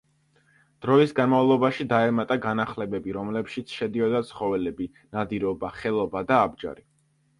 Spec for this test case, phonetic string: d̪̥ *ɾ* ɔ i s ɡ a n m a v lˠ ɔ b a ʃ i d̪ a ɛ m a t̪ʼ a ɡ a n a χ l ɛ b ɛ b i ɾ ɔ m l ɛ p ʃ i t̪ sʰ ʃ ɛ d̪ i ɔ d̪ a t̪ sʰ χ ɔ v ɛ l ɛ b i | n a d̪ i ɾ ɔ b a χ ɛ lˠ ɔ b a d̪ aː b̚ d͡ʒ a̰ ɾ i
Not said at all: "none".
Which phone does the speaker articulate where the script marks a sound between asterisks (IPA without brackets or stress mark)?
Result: ɾ